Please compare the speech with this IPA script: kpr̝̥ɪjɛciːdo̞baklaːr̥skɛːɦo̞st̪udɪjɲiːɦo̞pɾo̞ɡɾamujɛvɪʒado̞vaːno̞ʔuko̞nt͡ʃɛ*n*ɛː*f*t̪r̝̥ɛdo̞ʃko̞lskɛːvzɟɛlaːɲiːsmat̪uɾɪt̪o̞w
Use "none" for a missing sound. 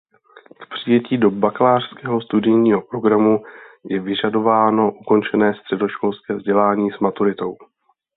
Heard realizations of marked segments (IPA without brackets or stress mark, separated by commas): n, s